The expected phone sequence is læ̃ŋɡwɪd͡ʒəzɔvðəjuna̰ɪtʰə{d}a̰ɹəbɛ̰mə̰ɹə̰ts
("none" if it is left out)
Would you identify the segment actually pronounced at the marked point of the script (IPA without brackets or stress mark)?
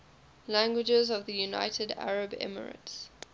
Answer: d